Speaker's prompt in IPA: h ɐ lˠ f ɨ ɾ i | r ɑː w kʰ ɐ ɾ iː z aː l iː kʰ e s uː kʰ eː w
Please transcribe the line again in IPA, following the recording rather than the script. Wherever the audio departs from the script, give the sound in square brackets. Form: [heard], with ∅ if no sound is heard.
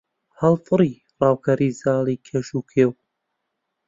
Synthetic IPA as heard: h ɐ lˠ f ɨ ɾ i | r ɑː w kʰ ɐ ɾ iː z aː l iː kʰ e [ʃ] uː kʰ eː w